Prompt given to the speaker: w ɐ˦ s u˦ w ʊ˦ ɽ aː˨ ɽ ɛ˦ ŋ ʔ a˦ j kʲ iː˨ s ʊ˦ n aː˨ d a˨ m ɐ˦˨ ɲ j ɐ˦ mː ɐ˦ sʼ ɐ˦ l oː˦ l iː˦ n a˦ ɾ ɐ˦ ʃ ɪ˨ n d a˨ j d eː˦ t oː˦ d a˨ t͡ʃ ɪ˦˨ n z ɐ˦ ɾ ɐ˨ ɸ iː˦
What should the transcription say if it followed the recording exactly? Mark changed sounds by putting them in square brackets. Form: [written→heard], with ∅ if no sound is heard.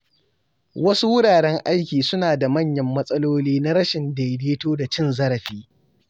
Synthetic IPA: w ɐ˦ s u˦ w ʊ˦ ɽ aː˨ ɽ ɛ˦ ŋ ʔ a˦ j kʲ iː˨ s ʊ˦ n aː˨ d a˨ m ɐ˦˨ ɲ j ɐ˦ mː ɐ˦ sʼ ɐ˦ l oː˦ l iː˦ n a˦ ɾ ɐ˦ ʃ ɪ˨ n d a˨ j d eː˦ t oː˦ d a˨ t͡ʃ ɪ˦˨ n z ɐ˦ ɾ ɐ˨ ɸ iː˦